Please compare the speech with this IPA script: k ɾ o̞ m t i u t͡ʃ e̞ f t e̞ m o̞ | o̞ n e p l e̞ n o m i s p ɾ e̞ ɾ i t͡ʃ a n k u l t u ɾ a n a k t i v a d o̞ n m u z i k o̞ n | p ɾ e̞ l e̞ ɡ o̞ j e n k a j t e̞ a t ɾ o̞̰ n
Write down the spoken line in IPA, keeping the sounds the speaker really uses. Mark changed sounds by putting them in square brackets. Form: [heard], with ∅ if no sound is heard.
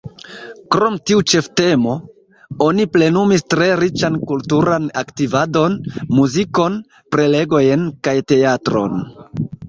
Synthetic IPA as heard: k ɾ o̞ m t i u t͡ʃ e̞ f t e̞ m o̞ | o̞ n [i] p l e̞ n [u] m i s [t] ɾ e̞ ɾ i t͡ʃ a n k u l t u ɾ a n a k t i v a d o̞ n m u z i k o̞ n | p ɾ e̞ l e̞ ɡ o̞ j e n k a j t e̞ a t ɾ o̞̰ n